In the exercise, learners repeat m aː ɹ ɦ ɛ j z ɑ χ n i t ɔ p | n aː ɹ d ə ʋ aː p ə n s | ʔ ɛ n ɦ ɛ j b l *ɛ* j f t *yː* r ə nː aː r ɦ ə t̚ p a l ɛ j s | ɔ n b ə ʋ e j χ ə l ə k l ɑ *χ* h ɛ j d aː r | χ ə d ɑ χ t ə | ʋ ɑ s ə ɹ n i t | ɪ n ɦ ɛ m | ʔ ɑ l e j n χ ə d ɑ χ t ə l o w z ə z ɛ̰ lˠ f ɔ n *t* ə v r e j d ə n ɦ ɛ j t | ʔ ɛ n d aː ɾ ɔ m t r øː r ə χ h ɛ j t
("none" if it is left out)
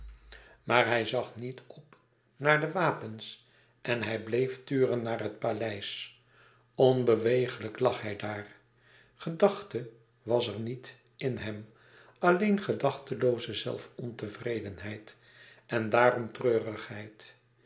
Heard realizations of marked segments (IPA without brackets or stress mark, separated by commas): e, yː, χ, t